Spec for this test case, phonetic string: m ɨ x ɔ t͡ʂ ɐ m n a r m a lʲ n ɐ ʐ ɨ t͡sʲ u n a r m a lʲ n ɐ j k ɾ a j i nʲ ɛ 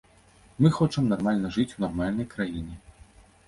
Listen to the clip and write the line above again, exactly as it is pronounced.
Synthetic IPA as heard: m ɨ x ɔ t͡ʂ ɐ m n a r m a lʲ n ɐ ʐ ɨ t͡sʲ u n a r m a lʲ n ɐ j k ɾ a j i nʲ ɛ